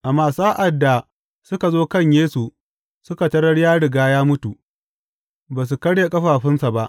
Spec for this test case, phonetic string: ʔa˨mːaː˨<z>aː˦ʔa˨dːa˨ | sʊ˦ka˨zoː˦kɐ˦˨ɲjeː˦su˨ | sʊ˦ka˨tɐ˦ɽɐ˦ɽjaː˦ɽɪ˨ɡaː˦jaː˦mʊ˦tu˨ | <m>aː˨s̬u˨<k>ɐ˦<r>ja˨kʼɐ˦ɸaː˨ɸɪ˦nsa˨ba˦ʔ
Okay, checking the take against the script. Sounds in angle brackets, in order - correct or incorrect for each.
incorrect: s, incorrect: b, correct, incorrect: ɽ

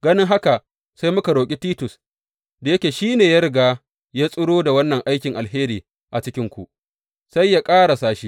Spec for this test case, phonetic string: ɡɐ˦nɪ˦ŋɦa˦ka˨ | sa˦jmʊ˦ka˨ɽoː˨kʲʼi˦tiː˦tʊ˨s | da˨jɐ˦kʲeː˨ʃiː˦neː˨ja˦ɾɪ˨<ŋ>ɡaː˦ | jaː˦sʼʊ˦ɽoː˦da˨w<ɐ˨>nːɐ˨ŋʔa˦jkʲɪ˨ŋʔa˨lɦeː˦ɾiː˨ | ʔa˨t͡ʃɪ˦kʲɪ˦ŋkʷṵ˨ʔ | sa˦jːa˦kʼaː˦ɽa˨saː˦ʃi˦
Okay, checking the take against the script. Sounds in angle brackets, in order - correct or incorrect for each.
incorrect: none, incorrect: ɐ˦

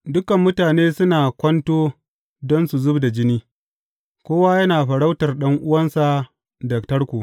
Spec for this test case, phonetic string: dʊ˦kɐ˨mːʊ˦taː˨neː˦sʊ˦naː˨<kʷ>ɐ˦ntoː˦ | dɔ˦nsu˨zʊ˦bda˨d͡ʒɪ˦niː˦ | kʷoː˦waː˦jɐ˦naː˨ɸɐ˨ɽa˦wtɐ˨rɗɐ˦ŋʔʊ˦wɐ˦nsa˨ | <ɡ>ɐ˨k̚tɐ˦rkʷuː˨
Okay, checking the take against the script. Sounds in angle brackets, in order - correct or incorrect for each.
correct, incorrect: d

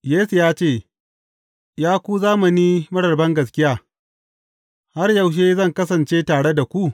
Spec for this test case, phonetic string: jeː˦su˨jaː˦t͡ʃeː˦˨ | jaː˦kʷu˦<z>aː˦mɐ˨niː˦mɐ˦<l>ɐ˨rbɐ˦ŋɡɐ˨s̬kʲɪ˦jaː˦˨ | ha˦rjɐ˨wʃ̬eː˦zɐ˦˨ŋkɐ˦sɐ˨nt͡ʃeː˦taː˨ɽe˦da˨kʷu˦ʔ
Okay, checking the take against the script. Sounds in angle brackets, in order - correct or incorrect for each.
correct, incorrect: ɽ

